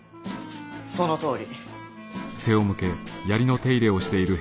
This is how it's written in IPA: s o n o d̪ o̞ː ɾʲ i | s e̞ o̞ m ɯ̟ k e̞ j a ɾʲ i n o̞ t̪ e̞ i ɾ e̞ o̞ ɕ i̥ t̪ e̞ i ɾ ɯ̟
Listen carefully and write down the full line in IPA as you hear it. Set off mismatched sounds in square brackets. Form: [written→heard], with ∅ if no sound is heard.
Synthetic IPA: s o n o [d̪→t̪] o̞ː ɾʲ i | s e̞ o̞ m ɯ̟ k e̞ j a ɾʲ i n o̞ t̪ e̞ i ɾ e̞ o̞ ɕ i̥ t̪ e̞ i ɾ ɯ̟